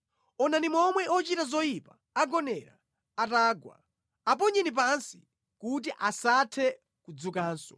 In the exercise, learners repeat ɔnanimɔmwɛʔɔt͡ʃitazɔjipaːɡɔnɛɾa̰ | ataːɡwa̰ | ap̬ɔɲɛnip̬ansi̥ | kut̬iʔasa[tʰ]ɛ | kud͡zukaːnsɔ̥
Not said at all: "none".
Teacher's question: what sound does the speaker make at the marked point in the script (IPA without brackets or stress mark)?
tʰ